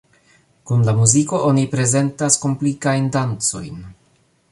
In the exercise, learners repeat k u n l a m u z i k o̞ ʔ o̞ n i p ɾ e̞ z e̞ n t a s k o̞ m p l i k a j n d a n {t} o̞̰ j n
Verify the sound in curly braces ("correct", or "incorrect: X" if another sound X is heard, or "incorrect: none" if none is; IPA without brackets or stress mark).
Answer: incorrect: t͡s